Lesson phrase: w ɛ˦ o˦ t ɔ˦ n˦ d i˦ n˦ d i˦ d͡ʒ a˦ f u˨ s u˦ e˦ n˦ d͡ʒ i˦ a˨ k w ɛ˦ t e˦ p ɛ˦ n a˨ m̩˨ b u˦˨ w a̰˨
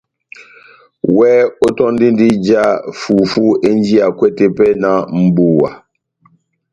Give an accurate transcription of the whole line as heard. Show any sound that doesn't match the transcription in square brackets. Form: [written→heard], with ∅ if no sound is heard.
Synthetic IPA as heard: w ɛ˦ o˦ t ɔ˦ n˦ d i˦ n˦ d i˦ d͡ʒ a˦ f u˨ [s→f] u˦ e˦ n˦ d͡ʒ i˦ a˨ k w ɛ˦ t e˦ p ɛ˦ n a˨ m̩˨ b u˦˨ w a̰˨